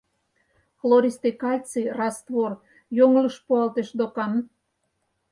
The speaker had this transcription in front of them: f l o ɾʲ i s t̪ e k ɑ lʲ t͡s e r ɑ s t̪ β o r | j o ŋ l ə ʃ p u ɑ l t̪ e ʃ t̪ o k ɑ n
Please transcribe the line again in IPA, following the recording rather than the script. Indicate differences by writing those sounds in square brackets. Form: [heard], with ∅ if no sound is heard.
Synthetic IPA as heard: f l o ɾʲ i s t̪ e k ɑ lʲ t͡s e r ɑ s t̪ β o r | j o ŋ l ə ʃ p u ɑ l t̪ e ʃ [d̪] o k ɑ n